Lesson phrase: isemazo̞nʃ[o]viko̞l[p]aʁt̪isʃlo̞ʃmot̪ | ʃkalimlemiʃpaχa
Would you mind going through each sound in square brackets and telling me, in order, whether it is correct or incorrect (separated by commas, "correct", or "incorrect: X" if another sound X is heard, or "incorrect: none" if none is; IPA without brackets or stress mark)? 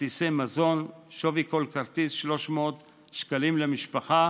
correct, incorrect: k